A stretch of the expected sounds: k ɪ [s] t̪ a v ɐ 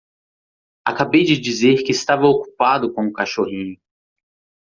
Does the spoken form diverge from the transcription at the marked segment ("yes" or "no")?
no